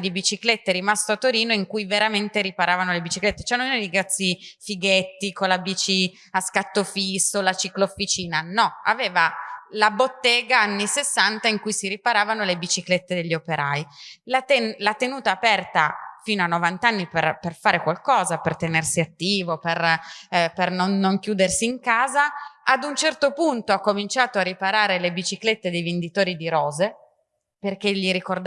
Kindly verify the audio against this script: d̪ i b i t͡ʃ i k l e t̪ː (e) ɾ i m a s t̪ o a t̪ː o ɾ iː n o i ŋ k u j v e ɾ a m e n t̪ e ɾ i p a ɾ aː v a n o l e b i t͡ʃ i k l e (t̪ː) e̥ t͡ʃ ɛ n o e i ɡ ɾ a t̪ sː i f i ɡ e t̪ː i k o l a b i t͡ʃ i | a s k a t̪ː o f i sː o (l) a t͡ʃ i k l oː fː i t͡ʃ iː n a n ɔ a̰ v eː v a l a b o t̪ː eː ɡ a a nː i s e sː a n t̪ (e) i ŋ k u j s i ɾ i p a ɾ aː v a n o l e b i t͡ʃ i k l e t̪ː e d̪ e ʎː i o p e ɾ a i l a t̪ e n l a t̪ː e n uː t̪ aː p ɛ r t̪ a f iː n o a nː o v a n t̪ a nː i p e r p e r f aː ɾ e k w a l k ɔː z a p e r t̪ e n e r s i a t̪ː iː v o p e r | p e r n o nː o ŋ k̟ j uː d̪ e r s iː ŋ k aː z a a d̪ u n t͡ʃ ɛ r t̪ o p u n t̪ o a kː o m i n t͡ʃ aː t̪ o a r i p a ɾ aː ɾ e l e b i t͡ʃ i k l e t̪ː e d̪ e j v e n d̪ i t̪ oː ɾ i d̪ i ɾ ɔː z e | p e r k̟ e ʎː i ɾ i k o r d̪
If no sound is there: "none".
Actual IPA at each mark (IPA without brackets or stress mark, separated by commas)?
e, t̪ː, l, a